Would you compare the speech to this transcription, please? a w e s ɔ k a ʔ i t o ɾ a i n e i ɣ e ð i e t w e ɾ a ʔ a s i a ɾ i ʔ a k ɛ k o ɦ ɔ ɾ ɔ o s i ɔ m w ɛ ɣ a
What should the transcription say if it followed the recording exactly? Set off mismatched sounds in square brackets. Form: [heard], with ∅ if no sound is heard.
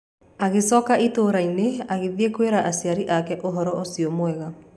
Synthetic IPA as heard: a [ɣ] e s ɔ k a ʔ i t o ɾ a i n e [a] ɣ e ð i e [k] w e ɾ a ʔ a s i a ɾ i ʔ a k ɛ [ʔ] o ɦ ɔ ɾ ɔ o s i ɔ m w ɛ ɣ a